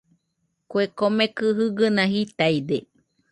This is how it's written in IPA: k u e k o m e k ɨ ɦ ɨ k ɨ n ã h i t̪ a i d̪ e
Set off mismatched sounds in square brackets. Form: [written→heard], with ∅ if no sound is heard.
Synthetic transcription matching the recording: k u e k o m e k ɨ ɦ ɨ [k→ɡ] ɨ n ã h i t̪ a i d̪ e